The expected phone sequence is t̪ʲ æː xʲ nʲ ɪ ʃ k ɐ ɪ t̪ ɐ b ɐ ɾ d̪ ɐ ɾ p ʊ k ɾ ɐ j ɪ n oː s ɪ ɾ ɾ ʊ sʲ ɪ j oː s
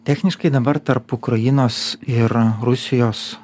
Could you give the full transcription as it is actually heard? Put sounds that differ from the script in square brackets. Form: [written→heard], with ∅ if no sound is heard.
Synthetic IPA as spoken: t̪ʲ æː xʲ nʲ ɪ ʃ k ɐ ɪ [t̪→d̪] ɐ b ɐ ɾ [d̪→t̪] ɐ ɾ p ʊ k ɾ ɐ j ɪ n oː s ɪ ɾ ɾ ʊ sʲ ɪ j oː s

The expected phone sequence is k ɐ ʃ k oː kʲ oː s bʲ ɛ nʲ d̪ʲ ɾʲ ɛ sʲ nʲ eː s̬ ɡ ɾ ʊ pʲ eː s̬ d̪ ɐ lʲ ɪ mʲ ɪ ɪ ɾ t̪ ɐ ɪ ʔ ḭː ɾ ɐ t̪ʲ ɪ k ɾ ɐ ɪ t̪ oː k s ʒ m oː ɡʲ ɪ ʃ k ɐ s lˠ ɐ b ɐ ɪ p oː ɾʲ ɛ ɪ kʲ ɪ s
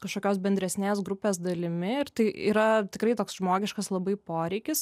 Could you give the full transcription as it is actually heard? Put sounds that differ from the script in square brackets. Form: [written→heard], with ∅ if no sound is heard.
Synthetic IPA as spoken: k ɐ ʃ k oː kʲ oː s bʲ ɛ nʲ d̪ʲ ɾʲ ɛ sʲ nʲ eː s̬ ɡ ɾ ʊ pʲ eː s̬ d̪ ɐ lʲ ɪ mʲ ɪ ɪ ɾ t̪ ɐ ɪ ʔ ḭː ɾ ɐ t̪ʲ ɪ k ɾ ɐ ɪ t̪ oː k s ʒ m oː ɡʲ ɪ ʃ k ɐ s lˠ ɐ b ɐ ɪ p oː ɾʲ ɛ ɪ kʲ ɪ s

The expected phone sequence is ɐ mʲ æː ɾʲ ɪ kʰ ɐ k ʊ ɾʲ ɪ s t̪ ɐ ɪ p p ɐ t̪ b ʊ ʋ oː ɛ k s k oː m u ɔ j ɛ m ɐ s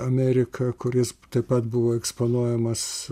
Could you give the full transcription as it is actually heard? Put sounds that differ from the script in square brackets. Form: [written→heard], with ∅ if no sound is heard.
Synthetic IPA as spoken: ɐ mʲ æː ɾʲ ɪ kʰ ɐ k ʊ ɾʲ ɪ s t̪ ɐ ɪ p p ɐ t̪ b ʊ ʋ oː ɛ k s [k→p] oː [m→n] u ɔ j ɛ m ɐ s

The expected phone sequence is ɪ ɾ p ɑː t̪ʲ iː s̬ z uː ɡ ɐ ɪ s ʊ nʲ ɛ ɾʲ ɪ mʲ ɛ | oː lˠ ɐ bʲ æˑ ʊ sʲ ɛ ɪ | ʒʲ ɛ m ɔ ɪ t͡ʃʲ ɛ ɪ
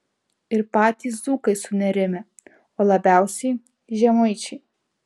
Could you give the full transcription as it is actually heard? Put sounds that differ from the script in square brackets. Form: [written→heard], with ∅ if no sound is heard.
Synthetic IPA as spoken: ɪ ɾ p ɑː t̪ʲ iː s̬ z uː [ɡ→k] ɐ ɪ s ʊ nʲ ɛ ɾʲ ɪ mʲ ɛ | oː lˠ ɐ bʲ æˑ ʊ sʲ ɛ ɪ | ʒʲ ɛ m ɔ ɪ t͡ʃʲ ɛ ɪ

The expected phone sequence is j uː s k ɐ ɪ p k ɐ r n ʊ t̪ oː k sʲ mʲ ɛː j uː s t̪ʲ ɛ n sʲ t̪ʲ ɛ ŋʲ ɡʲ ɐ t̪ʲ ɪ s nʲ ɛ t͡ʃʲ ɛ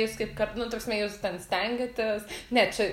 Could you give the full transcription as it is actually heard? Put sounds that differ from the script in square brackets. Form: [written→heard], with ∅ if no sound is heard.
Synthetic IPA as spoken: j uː s k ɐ ɪ p k ɐ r n ʊ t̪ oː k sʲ mʲ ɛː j uː s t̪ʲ ɛ n sʲ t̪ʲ ɛ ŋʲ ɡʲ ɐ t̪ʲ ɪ s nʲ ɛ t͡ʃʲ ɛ

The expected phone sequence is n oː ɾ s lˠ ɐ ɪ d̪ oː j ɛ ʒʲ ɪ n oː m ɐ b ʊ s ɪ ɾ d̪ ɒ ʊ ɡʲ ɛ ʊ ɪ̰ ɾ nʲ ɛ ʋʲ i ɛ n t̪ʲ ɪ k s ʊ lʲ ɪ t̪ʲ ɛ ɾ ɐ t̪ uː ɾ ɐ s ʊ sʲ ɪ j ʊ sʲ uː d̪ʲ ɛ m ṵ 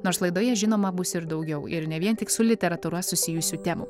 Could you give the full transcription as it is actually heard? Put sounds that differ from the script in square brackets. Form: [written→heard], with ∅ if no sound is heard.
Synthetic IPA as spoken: n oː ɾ s lˠ ɐ ɪ d̪ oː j ɛ ʒʲ ɪ n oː m ɐ b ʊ s ɪ ɾ d̪ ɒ ʊ ɡʲ ɛ ʊ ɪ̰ ɾ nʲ ɛ ʋʲ i ɛ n t̪ʲ ɪ k s ʊ lʲ ɪ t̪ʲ ɛ ɾ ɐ t̪ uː ɾ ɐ s ʊ sʲ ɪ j ʊ sʲ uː [d̪ʲ→t̪ʲ] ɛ m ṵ

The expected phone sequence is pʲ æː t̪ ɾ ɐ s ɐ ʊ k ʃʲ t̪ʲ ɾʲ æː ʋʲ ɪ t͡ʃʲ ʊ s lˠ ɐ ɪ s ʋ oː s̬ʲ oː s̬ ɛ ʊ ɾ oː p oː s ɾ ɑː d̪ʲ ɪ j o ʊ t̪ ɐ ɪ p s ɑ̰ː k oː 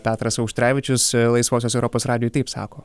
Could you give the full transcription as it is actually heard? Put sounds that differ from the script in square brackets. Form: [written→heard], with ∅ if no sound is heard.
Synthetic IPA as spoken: pʲ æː t̪ ɾ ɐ s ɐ ʊ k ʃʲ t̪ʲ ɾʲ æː ʋʲ ɪ t͡ʃʲ ʊ s lˠ ɐ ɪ s ʋ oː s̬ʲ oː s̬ ɛ ʊ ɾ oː p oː s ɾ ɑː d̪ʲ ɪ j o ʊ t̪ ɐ ɪ p s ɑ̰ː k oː

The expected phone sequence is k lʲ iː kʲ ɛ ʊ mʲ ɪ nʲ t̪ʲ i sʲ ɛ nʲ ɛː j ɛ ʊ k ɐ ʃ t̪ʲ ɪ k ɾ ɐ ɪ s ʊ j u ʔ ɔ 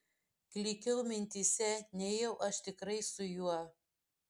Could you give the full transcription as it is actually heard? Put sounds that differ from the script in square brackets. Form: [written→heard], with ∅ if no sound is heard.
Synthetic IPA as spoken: k lʲ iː kʲ ɛ ʊ mʲ ɪ nʲ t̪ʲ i sʲ ɛ nʲ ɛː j ɛ ʊ [k→ʔ] ɐ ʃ t̪ʲ ɪ k ɾ ɐ ɪ s ʊ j u [ʔ→∅] ɔ

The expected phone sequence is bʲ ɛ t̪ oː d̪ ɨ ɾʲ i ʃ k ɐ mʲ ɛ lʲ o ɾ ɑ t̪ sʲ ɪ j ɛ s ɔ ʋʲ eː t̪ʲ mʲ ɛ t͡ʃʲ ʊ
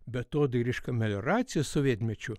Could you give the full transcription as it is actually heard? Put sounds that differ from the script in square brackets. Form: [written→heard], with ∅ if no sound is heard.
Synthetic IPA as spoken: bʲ ɛ t̪ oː d̪ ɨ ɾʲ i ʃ k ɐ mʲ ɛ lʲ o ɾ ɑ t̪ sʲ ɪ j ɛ s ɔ ʋʲ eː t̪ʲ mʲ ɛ t͡ʃʲ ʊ

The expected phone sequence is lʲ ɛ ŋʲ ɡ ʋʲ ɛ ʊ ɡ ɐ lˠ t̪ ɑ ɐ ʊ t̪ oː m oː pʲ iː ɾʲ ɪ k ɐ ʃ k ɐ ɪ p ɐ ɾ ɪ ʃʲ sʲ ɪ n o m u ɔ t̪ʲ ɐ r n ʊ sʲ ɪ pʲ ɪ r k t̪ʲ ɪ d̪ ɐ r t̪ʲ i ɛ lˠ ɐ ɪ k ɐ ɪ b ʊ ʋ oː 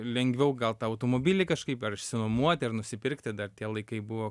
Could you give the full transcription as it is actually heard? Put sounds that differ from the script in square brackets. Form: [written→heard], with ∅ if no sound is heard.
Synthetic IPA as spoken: lʲ ɛ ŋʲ ɡ ʋʲ ɛ ʊ ɡ ɐ lˠ t̪ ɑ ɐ ʊ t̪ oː m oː [pʲ→bʲ] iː [ɾʲ→lʲ] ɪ k ɐ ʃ k ɐ ɪ p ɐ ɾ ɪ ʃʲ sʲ ɪ n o m u ɔ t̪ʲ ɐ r n ʊ sʲ ɪ pʲ ɪ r k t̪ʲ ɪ d̪ ɐ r t̪ʲ i ɛ lˠ ɐ ɪ k ɐ ɪ b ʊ ʋ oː

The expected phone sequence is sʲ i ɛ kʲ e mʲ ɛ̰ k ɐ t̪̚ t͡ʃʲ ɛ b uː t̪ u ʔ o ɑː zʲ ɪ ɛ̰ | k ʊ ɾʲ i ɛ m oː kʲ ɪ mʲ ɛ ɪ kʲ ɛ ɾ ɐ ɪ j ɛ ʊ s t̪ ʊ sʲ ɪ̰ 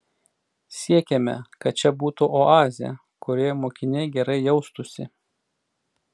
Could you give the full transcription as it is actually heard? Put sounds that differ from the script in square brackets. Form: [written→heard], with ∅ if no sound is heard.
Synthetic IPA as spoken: sʲ i ɛ kʲ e mʲ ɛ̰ k ɐ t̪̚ t͡ʃʲ ɛ b uː t̪ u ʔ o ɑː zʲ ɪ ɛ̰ | k ʊ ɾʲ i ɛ m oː kʲ ɪ [mʲ→nʲ] ɛ ɪ [kʲ→ɡʲ] ɛ ɾ ɐ ɪ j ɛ ʊ s t̪ ʊ sʲ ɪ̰

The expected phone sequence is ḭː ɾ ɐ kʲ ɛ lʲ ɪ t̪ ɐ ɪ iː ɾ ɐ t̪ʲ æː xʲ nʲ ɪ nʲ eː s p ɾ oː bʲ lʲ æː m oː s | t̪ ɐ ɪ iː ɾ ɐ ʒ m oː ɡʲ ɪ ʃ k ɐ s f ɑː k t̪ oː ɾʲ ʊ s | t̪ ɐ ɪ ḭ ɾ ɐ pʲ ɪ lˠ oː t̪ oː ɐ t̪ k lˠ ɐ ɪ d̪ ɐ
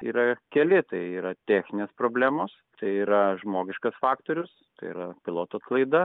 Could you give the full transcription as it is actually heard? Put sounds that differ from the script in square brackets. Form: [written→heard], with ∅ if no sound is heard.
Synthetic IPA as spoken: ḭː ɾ ɐ kʲ ɛ lʲ ɪ t̪ ɐ ɪ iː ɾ ɐ t̪ʲ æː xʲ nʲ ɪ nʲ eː s p ɾ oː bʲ lʲ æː m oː s | t̪ ɐ ɪ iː ɾ ɐ ʒ m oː ɡʲ ɪ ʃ k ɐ s f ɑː k t̪ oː ɾʲ ʊ s | t̪ ɐ ɪ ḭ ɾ ɐ pʲ ɪ lˠ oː t̪ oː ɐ t̪ k lˠ ɐ ɪ d̪ ɐ

